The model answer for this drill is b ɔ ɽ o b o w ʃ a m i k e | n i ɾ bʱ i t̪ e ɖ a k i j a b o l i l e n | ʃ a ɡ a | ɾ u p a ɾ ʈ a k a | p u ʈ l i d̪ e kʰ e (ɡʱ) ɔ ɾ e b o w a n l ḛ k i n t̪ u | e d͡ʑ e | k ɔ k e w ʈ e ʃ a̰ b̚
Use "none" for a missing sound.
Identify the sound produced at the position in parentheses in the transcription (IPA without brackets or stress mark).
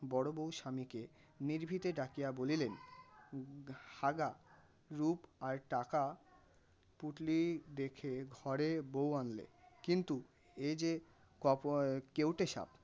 ɡʱ